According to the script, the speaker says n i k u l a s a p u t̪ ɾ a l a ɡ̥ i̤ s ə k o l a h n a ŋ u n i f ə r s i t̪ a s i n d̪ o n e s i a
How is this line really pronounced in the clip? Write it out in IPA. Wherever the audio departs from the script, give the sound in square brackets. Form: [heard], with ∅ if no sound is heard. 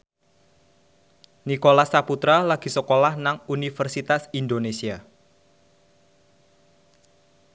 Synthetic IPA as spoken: n i k [o] l a s a p u t̪ ɾ a l a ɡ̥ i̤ s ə k o l a h n a ŋ u n i f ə r s i t̪ a s i n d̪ o n e s i a